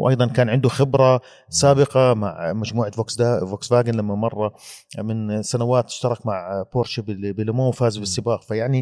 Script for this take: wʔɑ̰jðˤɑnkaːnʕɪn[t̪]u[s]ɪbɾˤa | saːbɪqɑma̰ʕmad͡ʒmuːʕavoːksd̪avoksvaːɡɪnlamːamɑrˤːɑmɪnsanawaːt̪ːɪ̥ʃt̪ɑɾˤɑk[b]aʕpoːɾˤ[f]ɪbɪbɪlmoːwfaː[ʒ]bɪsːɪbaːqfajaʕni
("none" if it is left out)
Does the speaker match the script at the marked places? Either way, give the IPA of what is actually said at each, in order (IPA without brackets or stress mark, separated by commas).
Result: d̪, x, m, ʃ, z